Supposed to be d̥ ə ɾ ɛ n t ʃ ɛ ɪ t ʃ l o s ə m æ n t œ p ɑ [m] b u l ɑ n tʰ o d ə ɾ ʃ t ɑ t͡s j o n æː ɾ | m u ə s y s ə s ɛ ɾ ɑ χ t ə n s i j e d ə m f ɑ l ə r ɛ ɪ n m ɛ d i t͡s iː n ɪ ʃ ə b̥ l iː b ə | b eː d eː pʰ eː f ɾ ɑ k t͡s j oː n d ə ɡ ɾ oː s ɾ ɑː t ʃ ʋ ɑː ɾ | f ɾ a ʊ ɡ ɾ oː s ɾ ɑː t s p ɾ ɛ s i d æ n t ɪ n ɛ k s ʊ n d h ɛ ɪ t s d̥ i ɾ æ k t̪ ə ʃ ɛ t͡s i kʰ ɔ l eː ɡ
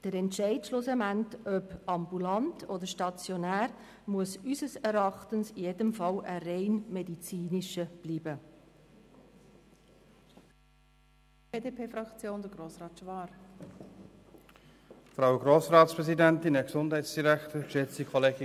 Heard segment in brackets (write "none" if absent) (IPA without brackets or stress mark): m